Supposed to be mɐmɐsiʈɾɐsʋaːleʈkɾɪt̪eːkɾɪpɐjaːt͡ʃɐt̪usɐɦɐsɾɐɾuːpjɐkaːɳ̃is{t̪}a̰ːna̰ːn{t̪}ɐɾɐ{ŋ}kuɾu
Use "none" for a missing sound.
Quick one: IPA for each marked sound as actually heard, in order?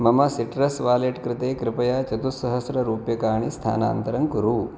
t̪ʰ, t̪, ŋ

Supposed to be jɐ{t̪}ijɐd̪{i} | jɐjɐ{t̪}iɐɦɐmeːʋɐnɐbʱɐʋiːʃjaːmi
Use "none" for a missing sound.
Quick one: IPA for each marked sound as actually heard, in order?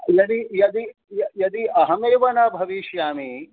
d̪, i, d̪

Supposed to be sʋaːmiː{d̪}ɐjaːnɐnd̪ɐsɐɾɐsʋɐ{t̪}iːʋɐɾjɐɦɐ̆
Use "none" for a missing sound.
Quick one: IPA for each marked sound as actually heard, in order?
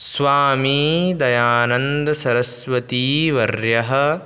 d̪, t̪

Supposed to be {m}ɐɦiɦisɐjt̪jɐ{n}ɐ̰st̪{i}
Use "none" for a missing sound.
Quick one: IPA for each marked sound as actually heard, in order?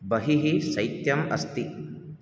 b, m, i

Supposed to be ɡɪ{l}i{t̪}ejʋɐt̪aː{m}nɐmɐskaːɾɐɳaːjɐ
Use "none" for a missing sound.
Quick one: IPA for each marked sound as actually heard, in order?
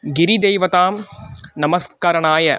ɾ, d̪, m

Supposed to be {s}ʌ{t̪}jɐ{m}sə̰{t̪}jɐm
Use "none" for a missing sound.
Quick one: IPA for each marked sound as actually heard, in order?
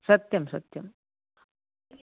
s, t̪, m, t̪

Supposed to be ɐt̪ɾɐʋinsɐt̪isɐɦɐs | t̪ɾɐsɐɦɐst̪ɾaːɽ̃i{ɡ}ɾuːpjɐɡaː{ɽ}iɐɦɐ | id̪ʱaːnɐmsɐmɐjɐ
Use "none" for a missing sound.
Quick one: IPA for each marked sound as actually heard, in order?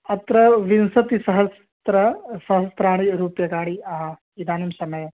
none, ɽ

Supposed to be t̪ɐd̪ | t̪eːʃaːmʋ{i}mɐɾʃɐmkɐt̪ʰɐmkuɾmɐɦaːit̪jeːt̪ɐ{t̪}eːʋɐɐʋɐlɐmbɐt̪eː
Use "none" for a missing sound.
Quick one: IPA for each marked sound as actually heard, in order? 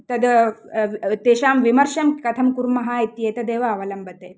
i, d̪

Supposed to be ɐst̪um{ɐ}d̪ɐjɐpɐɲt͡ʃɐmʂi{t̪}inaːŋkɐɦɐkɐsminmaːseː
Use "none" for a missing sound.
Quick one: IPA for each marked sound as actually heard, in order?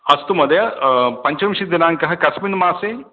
ɐ, d̪

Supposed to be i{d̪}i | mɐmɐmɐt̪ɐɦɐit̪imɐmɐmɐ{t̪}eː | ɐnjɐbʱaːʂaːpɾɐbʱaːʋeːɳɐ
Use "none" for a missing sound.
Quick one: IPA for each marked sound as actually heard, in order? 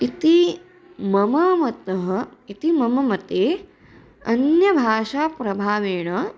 t̪, t̪

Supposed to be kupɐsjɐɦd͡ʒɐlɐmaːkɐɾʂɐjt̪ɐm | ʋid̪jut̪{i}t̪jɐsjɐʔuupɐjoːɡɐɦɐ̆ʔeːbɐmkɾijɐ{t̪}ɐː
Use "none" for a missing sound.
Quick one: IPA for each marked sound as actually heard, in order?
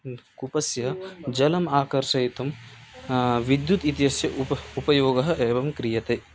i, t̪

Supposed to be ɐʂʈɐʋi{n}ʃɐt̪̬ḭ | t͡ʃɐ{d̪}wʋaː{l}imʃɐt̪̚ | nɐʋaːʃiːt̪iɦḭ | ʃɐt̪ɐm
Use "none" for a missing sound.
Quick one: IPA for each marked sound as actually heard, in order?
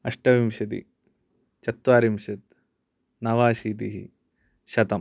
m, t̪, ɾ

